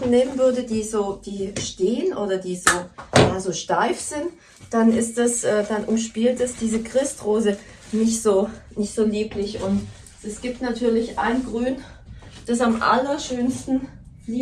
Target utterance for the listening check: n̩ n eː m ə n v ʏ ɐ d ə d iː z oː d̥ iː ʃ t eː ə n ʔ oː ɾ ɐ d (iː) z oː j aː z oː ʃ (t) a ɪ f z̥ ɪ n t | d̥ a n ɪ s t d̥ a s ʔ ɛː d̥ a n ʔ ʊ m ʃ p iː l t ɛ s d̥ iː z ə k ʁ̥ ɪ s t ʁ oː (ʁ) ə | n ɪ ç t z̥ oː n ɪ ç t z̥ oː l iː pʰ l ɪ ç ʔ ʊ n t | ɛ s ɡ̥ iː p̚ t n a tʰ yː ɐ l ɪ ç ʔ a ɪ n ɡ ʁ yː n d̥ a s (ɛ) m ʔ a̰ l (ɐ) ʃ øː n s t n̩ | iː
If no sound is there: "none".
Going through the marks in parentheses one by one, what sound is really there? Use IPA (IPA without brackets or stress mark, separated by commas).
iː, t, z, a, ɐ